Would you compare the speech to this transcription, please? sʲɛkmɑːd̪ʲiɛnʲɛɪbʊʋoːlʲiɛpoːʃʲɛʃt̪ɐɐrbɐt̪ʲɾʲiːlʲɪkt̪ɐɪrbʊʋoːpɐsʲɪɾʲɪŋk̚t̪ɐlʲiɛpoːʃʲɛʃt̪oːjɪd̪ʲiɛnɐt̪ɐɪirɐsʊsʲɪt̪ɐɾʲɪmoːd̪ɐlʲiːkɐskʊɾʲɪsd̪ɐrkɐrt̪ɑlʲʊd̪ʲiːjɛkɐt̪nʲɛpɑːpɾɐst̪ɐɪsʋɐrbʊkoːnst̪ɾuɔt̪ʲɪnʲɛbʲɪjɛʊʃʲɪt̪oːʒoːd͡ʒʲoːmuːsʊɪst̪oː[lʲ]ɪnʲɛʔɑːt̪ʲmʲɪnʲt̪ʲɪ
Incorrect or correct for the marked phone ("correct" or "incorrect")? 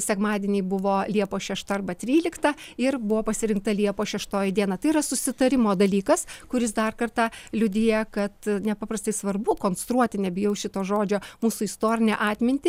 incorrect